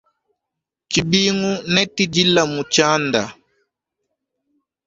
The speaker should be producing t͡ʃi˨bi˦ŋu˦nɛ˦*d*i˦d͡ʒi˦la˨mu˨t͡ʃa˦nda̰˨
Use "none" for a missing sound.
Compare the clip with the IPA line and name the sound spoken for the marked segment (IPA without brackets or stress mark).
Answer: t